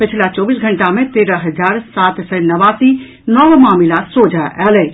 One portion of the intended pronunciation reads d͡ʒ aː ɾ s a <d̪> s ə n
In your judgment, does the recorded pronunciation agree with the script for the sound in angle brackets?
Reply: no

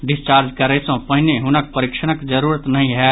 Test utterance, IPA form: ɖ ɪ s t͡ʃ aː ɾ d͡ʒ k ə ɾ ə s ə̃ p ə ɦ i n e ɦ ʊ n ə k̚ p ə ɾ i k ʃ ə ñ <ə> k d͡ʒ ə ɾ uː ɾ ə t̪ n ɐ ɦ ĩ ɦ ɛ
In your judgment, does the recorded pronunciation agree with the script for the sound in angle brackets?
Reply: yes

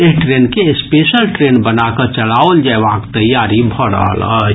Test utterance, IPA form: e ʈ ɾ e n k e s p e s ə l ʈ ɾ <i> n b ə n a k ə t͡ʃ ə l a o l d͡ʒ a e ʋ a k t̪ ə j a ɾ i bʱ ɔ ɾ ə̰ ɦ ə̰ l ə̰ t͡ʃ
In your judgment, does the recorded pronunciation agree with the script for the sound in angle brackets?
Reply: no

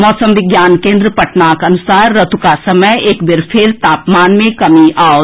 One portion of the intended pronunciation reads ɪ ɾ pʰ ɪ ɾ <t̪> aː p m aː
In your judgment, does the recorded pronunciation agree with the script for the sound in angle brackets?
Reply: yes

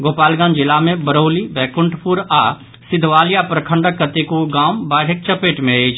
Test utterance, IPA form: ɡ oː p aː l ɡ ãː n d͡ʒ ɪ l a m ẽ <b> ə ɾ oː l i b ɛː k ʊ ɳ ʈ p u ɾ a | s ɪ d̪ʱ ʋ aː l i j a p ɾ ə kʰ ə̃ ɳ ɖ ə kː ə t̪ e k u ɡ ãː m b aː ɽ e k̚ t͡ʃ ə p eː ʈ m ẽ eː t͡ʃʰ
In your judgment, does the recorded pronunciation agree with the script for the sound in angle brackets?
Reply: yes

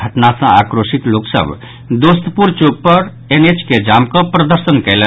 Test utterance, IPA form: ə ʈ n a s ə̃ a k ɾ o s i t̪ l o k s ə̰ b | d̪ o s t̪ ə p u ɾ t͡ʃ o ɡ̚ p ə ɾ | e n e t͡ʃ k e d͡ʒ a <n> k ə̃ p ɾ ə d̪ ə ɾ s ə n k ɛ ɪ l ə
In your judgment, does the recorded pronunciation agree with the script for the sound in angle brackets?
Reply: no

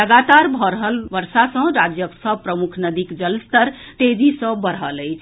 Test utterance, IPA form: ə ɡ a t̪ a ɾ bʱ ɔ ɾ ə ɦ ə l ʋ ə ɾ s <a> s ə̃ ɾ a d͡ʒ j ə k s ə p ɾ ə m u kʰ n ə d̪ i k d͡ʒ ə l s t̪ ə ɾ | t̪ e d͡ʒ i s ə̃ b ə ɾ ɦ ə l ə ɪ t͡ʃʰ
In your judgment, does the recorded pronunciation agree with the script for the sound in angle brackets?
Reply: yes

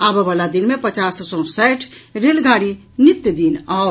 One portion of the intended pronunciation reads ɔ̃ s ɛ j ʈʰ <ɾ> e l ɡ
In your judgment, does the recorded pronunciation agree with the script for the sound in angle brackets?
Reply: yes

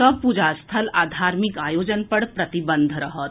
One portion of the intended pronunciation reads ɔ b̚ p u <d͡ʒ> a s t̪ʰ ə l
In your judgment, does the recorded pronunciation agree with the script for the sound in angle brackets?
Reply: yes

